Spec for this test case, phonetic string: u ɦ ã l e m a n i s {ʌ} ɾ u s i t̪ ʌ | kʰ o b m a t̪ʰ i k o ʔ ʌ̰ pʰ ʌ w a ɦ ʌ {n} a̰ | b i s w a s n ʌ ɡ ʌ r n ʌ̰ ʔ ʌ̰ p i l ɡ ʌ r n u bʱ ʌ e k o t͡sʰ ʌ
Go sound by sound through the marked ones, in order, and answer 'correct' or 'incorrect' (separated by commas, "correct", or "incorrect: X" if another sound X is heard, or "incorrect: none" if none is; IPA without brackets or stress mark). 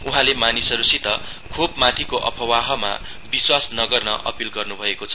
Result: correct, incorrect: m